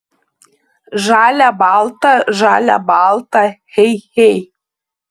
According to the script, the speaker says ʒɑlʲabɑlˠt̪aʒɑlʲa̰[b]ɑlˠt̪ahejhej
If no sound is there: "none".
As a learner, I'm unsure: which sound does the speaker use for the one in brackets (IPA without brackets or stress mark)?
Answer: b